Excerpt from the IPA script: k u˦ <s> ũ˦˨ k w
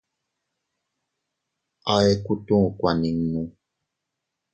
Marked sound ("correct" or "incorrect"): incorrect